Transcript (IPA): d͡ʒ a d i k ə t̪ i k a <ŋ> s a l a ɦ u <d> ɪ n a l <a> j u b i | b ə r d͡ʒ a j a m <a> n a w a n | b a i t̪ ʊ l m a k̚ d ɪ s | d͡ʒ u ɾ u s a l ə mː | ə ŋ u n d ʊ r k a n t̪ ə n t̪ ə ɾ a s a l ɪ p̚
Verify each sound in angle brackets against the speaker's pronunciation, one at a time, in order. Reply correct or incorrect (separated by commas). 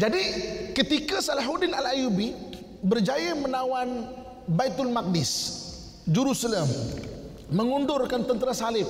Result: incorrect, correct, correct, incorrect